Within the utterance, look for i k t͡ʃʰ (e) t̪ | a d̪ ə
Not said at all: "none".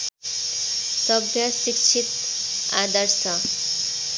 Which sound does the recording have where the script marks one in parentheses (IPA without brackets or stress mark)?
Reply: i